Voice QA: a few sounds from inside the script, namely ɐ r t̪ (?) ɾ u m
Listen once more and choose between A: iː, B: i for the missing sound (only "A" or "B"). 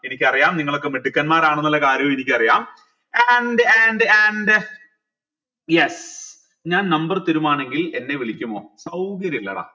B